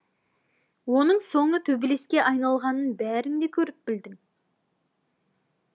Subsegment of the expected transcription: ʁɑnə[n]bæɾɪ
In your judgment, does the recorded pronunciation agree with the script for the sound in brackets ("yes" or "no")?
yes